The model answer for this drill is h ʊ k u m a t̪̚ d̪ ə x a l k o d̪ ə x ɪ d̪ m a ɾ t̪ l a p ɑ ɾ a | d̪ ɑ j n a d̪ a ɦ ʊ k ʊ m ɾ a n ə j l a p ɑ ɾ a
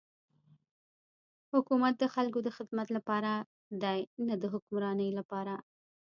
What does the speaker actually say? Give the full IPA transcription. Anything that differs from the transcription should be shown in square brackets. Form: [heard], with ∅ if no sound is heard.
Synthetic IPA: h ʊ k u m a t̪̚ d̪ ə x a l k o d̪ ə x ɪ d̪ m a [∅] t̪ l a p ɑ ɾ a | d̪ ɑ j n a d̪ [ə] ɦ ʊ k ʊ m ɾ [ɑ] n ə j l a p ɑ ɾ a